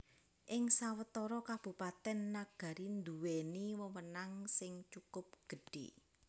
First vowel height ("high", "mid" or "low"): high